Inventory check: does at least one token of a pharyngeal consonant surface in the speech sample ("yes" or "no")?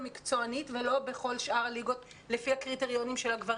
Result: no